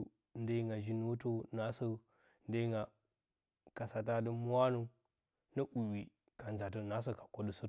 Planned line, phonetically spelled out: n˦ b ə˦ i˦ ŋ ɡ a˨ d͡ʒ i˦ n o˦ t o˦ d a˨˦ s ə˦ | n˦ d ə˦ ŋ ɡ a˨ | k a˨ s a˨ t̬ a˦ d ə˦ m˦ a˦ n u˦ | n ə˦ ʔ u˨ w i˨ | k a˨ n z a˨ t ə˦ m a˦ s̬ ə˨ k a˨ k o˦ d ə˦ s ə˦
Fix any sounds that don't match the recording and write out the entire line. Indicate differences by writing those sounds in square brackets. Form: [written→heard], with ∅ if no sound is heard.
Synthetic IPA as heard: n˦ [b→d] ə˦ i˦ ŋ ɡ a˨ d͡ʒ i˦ n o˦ t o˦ [d→n] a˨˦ s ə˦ | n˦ d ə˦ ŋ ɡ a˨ | k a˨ s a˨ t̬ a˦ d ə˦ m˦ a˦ n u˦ | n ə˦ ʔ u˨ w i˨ | k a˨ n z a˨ t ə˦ [m→n] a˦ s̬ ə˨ k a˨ k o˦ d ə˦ s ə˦